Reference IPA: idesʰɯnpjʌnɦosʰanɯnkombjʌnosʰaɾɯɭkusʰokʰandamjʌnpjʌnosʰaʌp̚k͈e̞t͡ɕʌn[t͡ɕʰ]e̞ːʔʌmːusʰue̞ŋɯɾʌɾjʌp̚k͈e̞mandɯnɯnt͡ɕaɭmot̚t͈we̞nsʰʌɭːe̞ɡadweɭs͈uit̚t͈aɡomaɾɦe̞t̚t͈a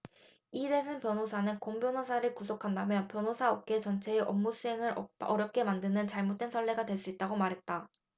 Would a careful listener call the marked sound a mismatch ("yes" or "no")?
no